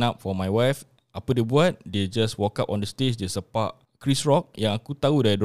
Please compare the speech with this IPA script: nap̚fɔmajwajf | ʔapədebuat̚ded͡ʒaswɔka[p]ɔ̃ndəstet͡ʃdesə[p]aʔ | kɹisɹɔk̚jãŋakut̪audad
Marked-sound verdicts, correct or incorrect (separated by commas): correct, correct